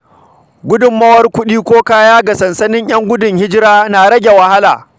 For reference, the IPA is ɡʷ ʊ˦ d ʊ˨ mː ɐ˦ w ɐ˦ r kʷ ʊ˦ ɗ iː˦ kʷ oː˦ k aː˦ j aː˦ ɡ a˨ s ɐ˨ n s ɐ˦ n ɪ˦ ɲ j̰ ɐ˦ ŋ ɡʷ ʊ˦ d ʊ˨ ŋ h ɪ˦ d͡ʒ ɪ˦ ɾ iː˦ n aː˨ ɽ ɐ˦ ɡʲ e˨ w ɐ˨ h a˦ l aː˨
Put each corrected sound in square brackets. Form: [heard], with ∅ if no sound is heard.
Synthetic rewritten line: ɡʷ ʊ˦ d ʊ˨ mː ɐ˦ w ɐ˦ r kʷ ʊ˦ ɗ iː˦ kʷ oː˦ k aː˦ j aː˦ ɡ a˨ s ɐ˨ n s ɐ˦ n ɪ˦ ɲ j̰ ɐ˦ ŋ ɡʷ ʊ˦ d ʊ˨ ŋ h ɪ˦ d͡ʒ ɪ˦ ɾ [aː˦] n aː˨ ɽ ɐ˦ ɡʲ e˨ w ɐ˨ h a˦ l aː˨